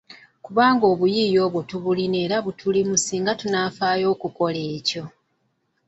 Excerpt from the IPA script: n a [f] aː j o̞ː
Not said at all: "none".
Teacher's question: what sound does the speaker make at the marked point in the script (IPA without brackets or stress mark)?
f